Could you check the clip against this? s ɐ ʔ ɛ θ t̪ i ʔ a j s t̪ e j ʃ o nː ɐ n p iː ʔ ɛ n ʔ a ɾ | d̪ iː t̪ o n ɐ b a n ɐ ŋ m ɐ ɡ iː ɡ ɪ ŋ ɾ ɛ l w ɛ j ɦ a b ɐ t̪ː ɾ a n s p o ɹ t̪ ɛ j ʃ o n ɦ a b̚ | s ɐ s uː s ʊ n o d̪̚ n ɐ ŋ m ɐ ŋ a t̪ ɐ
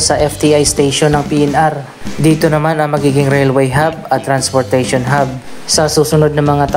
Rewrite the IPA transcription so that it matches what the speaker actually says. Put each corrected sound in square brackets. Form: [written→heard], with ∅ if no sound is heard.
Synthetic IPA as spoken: s ɐ ʔ ɛ [θ→f] t̪ i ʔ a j s t̪ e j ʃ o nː ɐ [n→ŋ] p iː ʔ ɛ n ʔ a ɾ | d̪ iː t̪ o n ɐ [b→m] a n ɐ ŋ m ɐ ɡ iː ɡ ɪ ŋ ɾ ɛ l w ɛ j ɦ a b ɐ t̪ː ɾ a n s p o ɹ t̪ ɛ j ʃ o n ɦ a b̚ | s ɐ s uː s ʊ n o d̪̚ n ɐ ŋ m ɐ ŋ a t̪ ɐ

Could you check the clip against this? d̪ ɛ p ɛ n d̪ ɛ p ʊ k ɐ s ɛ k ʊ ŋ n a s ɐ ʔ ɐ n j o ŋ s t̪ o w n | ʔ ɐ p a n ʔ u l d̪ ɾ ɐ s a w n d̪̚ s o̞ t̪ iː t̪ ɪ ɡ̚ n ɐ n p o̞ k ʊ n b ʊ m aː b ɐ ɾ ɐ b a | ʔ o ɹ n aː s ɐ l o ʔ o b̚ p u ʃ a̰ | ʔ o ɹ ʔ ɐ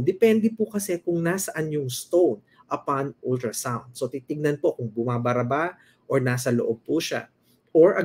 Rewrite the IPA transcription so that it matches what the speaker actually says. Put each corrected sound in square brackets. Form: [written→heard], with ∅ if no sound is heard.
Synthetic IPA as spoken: d̪ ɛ p ɛ n d̪ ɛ p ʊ k ɐ s ɛ k ʊ ŋ n a s ɐ ʔ ɐ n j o ŋ s t̪ o w n | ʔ ɐ p a n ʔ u l [d̪→t̪] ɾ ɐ s a w n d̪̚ s o̞ t̪ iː t̪ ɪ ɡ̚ n ɐ n p o̞ k ʊ [n→ŋ] b ʊ m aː b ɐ ɾ ɐ b a | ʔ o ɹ n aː s ɐ l o ʔ o b̚ p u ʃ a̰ | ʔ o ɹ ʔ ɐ

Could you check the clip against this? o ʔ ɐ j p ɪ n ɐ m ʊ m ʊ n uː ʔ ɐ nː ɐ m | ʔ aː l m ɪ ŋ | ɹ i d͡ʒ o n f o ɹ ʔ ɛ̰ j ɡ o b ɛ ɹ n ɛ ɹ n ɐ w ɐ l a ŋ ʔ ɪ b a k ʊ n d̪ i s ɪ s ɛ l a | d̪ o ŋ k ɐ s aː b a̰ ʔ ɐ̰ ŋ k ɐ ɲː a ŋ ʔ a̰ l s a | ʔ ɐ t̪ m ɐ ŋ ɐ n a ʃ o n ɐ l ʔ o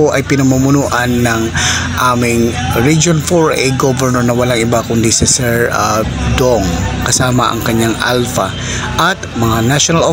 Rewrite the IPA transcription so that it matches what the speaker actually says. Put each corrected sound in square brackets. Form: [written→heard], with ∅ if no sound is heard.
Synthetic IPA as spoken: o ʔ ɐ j p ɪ n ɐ m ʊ m ʊ n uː ʔ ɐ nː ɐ [m→ŋ] | ʔ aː [l→∅] m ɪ ŋ | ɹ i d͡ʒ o n f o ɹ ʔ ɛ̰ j ɡ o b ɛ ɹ n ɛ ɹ n ɐ w ɐ l a ŋ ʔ ɪ b a k ʊ n d̪ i s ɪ s ɛ [l→ɹ] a | d̪ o ŋ k ɐ s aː [b→m] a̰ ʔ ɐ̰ ŋ k ɐ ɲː a ŋ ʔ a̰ l [s→f] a | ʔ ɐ t̪ m ɐ ŋ [ɐ→a] n a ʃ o n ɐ l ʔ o

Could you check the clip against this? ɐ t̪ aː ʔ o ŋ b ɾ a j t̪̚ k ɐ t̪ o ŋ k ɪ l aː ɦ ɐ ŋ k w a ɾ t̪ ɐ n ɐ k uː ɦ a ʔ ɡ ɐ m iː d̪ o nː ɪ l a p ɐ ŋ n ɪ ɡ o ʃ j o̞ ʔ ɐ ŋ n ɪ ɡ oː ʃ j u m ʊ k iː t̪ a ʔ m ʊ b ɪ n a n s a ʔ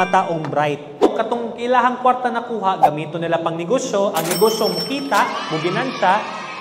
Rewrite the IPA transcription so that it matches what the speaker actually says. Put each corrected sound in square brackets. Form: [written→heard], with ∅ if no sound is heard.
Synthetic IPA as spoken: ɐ t̪ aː ʔ o ŋ b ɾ a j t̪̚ k ɐ t̪ o ŋ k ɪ l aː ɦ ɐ ŋ k w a ɾ t̪ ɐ n ɐ k uː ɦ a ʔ ɡ ɐ m iː [d̪→t̪] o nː ɪ l a p ɐ ŋ n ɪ ɡ o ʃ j o̞ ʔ ɐ ŋ n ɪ ɡ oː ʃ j [u→o] m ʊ k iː t̪ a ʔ m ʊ b ɪ n a n s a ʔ

